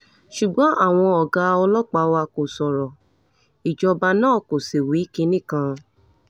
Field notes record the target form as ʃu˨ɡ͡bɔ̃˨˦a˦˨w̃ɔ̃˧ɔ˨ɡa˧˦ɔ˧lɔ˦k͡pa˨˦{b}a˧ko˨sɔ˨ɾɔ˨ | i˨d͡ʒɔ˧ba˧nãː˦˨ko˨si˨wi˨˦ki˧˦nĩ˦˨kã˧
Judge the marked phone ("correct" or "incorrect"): incorrect